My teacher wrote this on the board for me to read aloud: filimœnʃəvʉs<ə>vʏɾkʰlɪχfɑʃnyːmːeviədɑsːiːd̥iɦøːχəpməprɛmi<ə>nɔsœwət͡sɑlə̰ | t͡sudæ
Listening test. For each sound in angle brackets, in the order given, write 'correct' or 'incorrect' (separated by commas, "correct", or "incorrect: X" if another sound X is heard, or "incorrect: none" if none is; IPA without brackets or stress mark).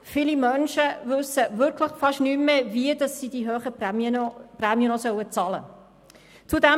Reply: correct, correct